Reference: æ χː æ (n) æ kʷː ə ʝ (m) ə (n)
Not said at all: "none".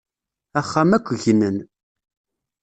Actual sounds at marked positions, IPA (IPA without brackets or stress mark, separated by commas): m, n, n